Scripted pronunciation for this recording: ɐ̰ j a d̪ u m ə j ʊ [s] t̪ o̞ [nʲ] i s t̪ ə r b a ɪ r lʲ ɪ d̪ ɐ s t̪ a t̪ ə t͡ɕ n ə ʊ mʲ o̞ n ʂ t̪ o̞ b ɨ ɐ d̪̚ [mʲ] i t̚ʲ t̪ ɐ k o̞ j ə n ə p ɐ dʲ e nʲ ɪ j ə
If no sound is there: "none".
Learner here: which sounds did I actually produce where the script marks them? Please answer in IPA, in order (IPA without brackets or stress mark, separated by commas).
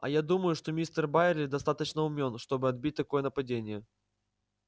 ʂ, mʲ, bʲ